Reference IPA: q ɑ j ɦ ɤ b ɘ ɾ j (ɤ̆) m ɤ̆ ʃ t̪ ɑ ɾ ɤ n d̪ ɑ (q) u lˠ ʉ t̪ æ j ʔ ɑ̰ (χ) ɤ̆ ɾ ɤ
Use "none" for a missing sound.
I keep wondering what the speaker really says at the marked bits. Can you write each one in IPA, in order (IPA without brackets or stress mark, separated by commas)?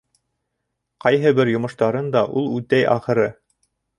ŏ, ʔ, χ